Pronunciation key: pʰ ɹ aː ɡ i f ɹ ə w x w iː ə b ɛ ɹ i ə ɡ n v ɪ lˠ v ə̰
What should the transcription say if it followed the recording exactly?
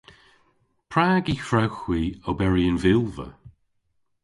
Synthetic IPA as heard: pʰ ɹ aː ɡ i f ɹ a w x w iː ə b ɛ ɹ i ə n v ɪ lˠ v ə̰